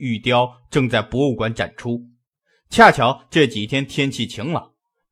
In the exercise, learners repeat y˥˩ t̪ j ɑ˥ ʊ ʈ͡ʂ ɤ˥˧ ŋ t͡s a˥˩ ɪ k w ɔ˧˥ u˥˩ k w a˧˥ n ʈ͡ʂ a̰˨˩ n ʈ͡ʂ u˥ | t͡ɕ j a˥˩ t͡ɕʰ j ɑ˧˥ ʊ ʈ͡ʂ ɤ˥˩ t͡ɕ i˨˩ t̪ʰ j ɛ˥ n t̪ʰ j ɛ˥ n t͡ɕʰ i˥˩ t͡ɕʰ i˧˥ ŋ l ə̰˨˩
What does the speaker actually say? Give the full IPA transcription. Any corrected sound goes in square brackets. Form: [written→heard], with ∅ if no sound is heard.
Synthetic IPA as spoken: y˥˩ t̪ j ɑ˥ ʊ ʈ͡ʂ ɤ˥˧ ŋ t͡s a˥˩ ɪ [k→p] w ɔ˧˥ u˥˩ k w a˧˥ n ʈ͡ʂ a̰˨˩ n [ʈ͡ʂ→ʈ͡ʂʰ] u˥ | [t͡ɕ→t͡ɕʰ] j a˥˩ t͡ɕʰ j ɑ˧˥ ʊ ʈ͡ʂ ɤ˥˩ t͡ɕ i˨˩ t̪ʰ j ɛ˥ n t̪ʰ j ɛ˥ n t͡ɕʰ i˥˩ t͡ɕʰ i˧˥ ŋ l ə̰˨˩